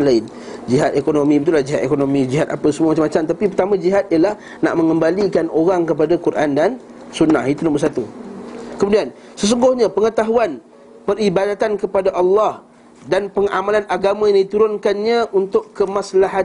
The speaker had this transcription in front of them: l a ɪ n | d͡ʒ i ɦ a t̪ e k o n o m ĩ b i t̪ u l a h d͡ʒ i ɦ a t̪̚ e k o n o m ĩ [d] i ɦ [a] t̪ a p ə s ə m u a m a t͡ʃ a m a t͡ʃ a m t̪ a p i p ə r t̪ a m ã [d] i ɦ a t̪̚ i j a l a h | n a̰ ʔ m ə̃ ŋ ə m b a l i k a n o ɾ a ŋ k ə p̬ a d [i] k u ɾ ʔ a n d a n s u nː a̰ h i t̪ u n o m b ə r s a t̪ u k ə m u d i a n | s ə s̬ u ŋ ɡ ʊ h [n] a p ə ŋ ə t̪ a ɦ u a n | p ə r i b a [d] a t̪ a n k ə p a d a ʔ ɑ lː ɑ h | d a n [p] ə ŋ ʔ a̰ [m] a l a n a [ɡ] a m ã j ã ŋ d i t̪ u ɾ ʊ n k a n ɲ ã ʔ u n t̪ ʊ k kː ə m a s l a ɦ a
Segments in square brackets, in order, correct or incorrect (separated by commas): incorrect, correct, incorrect, incorrect, incorrect, correct, correct, correct, correct